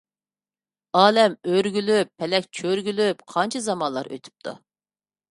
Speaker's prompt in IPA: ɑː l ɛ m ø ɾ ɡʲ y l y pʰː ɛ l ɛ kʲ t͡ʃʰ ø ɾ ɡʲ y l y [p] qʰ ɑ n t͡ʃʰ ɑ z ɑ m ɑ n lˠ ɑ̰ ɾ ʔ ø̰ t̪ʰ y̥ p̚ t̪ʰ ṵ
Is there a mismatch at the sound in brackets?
no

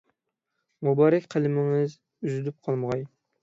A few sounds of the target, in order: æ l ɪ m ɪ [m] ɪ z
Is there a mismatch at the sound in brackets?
yes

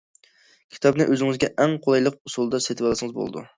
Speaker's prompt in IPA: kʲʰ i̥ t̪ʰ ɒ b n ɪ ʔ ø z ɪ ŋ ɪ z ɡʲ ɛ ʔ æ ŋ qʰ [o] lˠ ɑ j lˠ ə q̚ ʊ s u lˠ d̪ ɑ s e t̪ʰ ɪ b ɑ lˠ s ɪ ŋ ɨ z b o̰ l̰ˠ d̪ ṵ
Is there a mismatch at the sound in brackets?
no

